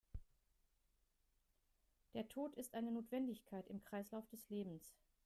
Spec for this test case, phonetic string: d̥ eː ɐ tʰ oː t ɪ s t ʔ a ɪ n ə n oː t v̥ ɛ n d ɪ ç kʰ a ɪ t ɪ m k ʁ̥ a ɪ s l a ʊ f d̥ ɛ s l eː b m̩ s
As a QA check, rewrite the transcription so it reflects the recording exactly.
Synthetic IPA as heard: d̥ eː ɐ tʰ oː t ɪ s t ʔ a ɪ n ə n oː t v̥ ɛ n d ɪ ç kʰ a ɪ t ɪ m k ʁ̥ a ɪ s l a ʊ f d̥ ɛ s l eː b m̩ s